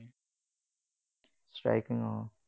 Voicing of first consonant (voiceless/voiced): voiceless